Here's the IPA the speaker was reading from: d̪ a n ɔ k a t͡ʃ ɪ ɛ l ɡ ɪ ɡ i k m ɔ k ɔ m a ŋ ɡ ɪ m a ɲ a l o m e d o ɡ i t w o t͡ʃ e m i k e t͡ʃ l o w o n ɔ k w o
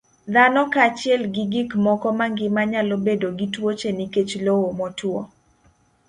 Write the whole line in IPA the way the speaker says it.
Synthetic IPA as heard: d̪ a n ɔ k a t͡ʃ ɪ ɛ l ɡ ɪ ɡ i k m ɔ k ɔ m a ŋ ɡ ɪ m a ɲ a l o b e d o ɡ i t w o t͡ʃ e n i k e t͡ʃ l o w o m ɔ t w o